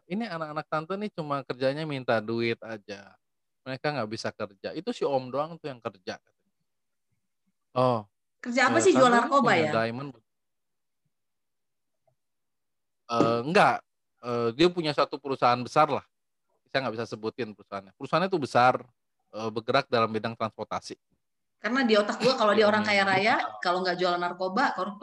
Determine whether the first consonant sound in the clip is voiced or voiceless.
voiced